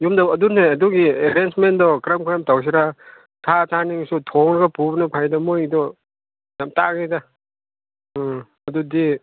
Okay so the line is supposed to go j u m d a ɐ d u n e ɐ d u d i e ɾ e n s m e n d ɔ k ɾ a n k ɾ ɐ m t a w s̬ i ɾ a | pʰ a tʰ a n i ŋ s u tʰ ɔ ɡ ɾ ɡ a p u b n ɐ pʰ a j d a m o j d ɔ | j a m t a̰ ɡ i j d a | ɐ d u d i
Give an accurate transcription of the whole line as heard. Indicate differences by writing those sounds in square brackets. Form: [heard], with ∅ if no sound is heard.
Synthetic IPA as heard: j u m d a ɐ d u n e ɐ d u [ɡ] i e ɾ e n s m e n d ɔ k ɾ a [m] k ɾ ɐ m t a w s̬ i ɾ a | [tʰ] a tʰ a n i ŋ s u tʰ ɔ [ŋ] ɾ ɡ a p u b n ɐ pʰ a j d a m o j d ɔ | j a m t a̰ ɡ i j d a | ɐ d u d i